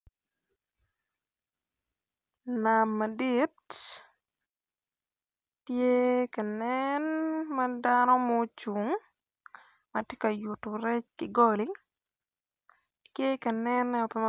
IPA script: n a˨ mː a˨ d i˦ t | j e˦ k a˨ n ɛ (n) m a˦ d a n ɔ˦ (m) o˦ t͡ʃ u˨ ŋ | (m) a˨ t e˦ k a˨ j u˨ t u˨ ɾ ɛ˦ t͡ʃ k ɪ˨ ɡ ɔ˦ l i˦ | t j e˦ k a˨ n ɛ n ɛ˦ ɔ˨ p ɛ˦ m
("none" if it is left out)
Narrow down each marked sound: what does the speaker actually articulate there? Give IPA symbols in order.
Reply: n, m, m

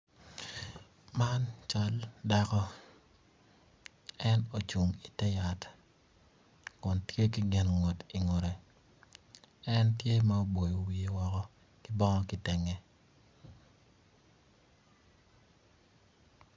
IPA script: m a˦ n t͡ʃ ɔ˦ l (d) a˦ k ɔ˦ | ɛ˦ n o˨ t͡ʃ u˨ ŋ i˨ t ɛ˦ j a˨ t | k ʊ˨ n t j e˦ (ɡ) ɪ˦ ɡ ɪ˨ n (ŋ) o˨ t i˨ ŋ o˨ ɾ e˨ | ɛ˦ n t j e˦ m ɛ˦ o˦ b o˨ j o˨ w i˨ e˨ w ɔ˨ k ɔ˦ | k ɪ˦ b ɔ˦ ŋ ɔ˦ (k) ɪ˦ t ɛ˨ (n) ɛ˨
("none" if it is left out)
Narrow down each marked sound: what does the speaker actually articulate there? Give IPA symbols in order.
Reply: d, k, ŋ, k, ŋ

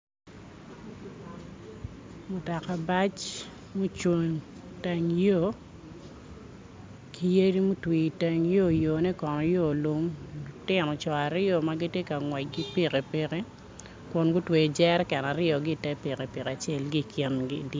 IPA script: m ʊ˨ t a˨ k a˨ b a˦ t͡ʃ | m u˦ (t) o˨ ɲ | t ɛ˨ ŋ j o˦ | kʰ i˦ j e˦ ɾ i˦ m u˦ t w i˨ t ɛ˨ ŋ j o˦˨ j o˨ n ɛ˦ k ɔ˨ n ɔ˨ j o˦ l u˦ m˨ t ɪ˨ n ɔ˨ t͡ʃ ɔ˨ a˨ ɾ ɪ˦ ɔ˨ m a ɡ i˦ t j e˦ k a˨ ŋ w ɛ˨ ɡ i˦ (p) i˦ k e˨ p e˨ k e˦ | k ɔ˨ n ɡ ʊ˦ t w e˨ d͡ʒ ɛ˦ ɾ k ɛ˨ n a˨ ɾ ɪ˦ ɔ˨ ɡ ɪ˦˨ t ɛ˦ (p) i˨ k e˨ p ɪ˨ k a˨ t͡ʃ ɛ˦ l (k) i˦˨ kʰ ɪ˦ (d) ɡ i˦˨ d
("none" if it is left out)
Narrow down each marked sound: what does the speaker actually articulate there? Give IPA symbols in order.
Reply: t͡ʃ, p, p, ɡ, n

